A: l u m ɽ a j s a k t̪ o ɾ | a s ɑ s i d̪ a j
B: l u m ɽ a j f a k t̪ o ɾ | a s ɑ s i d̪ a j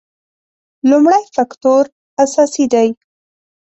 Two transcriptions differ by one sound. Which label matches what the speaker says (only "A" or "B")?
B